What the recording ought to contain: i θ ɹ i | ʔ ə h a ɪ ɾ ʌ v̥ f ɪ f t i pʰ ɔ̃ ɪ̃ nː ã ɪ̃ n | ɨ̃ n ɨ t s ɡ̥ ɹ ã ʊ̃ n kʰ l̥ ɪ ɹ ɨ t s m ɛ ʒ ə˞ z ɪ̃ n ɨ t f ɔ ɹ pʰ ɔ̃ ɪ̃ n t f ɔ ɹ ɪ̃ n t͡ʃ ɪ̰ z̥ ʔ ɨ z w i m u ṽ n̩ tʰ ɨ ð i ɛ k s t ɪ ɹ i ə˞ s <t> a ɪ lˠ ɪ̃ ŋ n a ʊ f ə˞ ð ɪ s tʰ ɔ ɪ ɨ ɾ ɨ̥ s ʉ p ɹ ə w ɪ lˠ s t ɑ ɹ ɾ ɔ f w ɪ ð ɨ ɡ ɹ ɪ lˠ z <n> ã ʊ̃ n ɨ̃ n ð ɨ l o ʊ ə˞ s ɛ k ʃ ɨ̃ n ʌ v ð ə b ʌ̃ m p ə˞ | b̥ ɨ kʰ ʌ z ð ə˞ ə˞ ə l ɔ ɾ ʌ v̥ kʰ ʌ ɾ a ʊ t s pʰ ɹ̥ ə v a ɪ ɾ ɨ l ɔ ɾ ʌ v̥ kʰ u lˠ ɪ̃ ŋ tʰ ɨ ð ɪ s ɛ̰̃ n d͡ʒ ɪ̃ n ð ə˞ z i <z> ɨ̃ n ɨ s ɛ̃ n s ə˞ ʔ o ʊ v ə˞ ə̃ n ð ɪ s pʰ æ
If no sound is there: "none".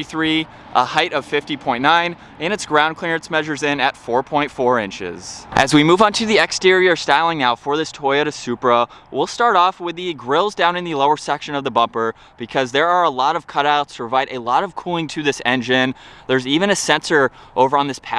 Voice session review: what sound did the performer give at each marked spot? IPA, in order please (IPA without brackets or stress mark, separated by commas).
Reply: t, d, v